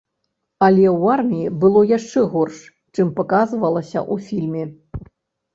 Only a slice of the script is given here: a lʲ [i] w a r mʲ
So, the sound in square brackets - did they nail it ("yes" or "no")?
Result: no